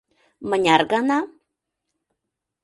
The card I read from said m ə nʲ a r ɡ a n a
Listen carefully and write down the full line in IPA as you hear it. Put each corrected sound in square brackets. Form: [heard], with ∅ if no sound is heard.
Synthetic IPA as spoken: m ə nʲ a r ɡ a n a